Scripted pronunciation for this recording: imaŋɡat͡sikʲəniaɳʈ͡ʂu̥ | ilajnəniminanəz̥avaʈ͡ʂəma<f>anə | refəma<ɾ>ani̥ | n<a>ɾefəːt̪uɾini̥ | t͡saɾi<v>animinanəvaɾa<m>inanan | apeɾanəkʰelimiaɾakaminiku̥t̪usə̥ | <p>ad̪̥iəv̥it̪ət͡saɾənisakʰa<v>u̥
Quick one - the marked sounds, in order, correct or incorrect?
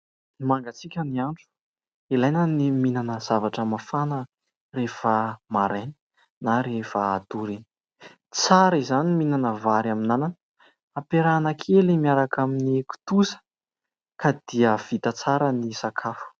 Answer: correct, correct, correct, incorrect: z, correct, incorrect: k, incorrect: f

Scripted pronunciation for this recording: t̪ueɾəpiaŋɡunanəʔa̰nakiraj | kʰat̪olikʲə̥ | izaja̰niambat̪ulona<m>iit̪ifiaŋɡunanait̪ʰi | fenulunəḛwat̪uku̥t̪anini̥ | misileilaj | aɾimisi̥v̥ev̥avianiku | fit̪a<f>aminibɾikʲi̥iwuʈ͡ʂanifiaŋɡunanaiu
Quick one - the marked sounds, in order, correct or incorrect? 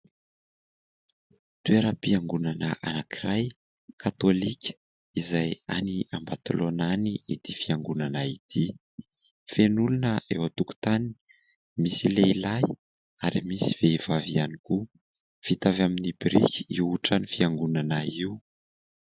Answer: incorrect: n, incorrect: v

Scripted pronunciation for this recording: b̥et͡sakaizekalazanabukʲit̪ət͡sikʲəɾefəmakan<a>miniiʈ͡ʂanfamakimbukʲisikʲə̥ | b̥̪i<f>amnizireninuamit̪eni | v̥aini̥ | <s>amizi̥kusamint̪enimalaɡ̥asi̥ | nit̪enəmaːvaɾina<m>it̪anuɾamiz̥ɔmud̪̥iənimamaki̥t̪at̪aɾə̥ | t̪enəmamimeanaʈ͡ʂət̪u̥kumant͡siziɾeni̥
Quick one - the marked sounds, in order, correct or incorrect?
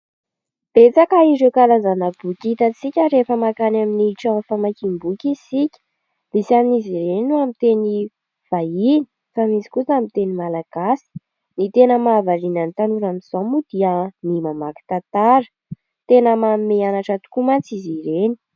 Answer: correct, incorrect: s, incorrect: f, incorrect: n

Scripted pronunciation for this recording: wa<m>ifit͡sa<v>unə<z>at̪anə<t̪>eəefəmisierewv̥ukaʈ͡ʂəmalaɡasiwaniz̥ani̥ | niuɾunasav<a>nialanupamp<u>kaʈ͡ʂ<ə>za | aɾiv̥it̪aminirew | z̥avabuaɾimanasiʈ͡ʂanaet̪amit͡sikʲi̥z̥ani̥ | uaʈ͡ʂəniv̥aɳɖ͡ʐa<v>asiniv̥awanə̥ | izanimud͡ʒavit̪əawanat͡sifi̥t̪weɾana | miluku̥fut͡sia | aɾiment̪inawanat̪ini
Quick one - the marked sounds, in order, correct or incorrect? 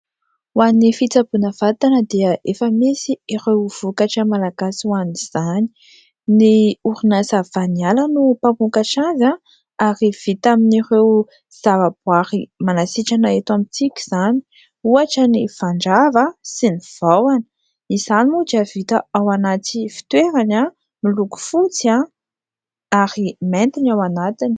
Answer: incorrect: n, incorrect: b, incorrect: v, incorrect: d̪, correct, correct, incorrect: a, correct

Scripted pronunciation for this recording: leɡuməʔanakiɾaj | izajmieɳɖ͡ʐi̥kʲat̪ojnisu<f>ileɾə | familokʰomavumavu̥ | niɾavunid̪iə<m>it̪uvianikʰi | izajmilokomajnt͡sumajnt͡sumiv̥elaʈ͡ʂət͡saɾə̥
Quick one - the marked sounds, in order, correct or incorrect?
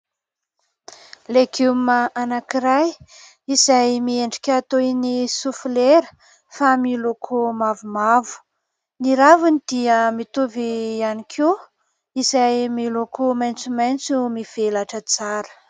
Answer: correct, correct

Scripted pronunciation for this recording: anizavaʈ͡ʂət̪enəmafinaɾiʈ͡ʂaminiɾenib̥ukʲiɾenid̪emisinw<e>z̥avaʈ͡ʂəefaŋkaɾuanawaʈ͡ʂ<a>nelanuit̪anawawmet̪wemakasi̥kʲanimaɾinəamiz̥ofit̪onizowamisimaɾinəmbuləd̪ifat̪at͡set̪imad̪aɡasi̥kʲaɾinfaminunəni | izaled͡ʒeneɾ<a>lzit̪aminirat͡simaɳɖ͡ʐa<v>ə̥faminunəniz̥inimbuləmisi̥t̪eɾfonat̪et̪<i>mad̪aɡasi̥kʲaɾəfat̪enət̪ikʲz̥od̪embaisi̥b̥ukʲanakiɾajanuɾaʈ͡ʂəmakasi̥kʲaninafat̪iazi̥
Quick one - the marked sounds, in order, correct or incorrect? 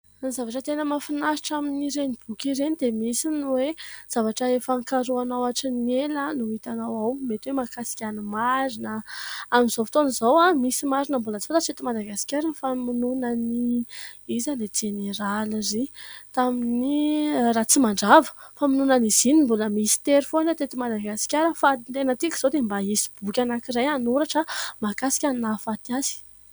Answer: correct, incorrect: i, correct, correct, correct

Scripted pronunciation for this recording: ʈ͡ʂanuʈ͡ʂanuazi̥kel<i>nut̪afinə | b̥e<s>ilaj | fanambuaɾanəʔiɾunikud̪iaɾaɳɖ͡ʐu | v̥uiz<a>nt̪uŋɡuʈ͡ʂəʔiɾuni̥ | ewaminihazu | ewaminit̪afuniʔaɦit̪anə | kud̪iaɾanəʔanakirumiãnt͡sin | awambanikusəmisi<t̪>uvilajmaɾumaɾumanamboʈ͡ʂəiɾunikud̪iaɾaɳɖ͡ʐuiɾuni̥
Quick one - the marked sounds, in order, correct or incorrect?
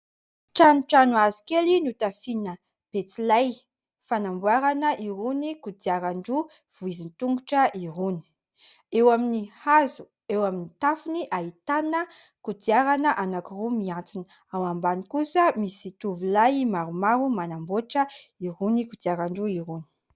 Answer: correct, incorrect: t͡s, incorrect: i, correct

